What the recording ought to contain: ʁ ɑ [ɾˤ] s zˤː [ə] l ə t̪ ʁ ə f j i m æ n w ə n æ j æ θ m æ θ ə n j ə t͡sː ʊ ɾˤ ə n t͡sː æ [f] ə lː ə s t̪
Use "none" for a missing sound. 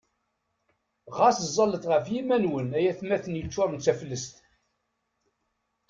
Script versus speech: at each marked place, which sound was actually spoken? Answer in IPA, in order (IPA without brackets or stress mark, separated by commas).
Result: none, ɑ, f